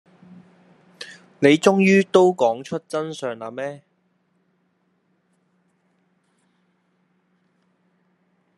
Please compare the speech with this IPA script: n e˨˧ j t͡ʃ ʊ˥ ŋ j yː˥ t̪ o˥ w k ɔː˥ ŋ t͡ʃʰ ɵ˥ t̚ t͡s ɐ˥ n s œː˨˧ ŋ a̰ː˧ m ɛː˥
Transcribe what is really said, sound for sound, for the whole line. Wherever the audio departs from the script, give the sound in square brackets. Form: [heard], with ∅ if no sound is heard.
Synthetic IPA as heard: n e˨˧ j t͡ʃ ʊ˥ ŋ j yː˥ t̪ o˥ w k [ɔː˨˥] ŋ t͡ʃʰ ɵ˥ t̚ t͡s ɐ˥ n s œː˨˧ ŋ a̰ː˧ m ɛː˥